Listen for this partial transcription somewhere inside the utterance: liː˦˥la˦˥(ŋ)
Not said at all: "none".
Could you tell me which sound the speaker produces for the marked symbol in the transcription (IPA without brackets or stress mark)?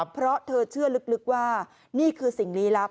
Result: none